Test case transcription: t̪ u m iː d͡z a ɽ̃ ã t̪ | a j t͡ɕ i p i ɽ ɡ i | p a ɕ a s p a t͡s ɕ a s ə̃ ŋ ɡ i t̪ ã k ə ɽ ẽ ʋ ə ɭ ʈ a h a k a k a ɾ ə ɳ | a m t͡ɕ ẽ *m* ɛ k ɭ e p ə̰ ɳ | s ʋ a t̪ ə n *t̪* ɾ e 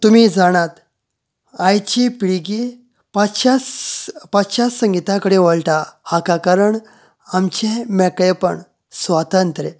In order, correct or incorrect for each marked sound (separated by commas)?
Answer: correct, correct